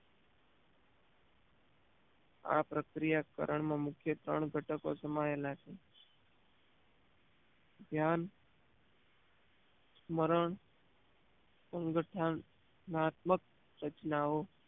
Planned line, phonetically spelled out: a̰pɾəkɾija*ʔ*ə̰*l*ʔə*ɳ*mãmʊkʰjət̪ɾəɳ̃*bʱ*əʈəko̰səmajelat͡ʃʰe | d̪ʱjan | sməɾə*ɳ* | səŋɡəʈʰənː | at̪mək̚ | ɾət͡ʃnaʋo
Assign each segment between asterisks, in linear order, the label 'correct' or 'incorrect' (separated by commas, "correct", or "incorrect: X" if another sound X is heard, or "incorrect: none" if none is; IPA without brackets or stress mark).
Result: incorrect: k, incorrect: ɾ, correct, incorrect: ɡʱ, correct